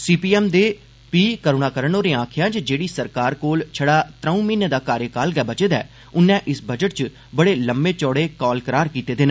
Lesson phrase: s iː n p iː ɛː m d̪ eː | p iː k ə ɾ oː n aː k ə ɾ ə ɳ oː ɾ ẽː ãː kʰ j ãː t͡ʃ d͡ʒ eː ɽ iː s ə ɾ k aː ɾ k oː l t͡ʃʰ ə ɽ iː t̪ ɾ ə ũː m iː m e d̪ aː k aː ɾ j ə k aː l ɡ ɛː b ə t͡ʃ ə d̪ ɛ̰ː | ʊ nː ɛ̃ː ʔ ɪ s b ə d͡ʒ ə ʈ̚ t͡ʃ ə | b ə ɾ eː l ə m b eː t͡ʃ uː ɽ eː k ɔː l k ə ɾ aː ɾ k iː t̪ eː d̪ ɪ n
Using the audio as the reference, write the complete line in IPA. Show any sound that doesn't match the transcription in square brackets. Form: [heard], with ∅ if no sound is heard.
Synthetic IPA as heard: s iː [∅] p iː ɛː m d̪ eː | p iː k ə ɾ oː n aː k ə ɾ ə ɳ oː ɾ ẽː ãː kʰ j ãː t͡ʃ d͡ʒ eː ɽ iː s ə ɾ k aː ɾ k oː l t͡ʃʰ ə ɽ [aː] t̪ ɾ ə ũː m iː [n] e d̪ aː k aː ɾ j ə k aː l ɡ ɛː b ə t͡ʃ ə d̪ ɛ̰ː | ʊ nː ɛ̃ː ʔ ɪ s b ə d͡ʒ ə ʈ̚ t͡ʃ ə | b ə [ɽ] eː l ə m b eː t͡ʃ [ɔː] ɽ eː k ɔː l k ə ɾ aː ɾ k iː t̪ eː d̪ ɪ n

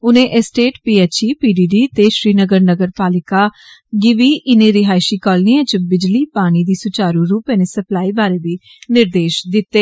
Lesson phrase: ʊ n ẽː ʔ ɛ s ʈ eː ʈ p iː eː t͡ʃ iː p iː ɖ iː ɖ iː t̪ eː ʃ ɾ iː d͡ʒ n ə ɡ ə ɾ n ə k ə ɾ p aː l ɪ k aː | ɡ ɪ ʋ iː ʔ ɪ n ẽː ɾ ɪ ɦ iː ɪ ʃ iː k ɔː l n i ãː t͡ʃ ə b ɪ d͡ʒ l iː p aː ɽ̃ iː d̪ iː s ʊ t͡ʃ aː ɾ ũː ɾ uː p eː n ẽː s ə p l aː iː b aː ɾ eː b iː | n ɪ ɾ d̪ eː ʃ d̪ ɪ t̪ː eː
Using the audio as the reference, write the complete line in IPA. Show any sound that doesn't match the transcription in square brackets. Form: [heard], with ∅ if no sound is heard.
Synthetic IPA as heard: ʊ n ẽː ʔ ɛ s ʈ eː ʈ p iː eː t͡ʃ iː p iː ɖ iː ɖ iː t̪ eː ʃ ɾ iː [∅] n ə ɡ ə ɾ n ə [ɡ] ə ɾ p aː l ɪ k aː | ɡ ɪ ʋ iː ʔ ɪ n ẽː ɾ ɪ ɦ [aː] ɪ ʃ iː k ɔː l n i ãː t͡ʃ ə b ɪ d͡ʒ l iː p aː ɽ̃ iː d̪ iː s ʊ t͡ʃ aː ɾ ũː ɾ uː p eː n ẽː s ə p l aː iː b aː ɾ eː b iː | n ɪ ɾ d̪ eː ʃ d̪ ɪ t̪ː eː

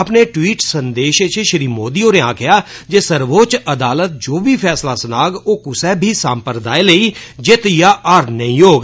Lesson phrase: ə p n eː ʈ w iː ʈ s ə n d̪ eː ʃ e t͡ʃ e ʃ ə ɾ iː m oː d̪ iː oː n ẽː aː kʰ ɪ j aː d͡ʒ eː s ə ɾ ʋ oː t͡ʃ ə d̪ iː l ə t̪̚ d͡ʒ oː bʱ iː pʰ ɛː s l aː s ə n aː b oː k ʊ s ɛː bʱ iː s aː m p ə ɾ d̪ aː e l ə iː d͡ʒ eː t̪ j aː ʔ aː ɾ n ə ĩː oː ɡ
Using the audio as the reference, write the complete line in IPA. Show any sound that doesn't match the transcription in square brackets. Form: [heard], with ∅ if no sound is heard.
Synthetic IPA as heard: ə p n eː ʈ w iː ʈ s ə n d̪ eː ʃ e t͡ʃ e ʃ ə ɾ iː m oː d̪ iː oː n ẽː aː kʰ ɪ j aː d͡ʒ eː s ə ɾ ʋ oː t͡ʃ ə d̪ [aː] l ə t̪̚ d͡ʒ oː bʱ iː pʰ ɛː s l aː s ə n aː [ɡ] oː k ʊ s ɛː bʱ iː s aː m p ə ɾ d̪ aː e l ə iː d͡ʒ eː t̪ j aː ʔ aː ɾ n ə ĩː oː ɡ

